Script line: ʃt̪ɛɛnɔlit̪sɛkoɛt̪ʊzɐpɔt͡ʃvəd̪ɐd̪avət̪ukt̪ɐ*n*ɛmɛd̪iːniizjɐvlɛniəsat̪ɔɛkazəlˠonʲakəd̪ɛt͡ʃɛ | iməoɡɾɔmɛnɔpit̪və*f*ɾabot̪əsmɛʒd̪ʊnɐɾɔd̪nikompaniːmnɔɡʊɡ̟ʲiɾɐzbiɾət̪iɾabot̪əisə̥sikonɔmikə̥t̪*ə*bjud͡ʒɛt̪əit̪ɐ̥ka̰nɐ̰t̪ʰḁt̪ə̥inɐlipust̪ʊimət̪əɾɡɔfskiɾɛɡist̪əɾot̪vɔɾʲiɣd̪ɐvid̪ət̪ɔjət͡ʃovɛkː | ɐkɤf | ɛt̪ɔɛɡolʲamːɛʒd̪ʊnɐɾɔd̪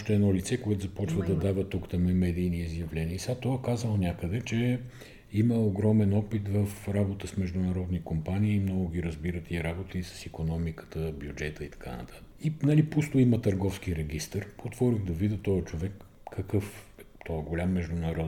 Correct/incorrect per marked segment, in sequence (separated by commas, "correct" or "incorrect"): incorrect, correct, correct